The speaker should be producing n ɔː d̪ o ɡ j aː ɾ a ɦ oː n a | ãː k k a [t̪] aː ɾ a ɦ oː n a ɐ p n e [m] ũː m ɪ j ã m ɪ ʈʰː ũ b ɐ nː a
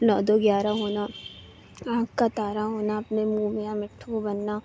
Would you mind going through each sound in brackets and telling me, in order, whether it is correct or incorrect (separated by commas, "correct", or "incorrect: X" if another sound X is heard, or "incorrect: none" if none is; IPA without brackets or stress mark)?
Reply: correct, correct